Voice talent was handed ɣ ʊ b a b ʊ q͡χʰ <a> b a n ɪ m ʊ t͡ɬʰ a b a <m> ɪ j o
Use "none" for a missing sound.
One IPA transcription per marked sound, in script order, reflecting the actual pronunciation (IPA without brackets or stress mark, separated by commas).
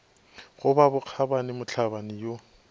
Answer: a, n